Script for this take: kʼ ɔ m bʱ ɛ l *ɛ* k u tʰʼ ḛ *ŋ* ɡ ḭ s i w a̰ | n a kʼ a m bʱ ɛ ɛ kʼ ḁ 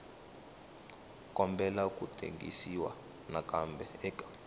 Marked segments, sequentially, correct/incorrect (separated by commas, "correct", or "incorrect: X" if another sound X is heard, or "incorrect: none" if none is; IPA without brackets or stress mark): incorrect: a, correct